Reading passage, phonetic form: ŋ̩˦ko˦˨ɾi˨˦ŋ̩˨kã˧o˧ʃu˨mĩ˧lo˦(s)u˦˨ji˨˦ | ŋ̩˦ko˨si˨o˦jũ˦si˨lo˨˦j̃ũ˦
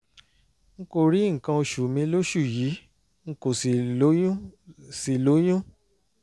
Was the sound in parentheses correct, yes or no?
no